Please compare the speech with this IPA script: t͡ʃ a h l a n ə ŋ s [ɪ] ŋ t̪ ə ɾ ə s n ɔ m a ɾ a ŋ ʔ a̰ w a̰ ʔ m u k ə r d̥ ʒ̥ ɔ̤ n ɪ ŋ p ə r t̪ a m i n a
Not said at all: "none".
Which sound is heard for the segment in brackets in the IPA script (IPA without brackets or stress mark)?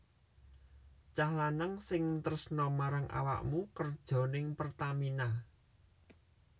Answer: ɪ